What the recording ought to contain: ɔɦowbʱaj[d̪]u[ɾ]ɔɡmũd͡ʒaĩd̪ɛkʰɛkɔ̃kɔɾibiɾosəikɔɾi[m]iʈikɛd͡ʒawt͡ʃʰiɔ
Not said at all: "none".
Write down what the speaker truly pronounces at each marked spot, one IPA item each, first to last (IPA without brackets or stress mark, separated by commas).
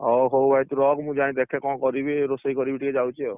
t̪, ɾ, b